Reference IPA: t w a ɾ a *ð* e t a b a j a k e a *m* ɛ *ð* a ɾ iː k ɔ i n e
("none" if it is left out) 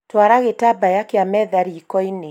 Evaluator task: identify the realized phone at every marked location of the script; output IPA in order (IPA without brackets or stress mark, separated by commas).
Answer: ɣ, m, ð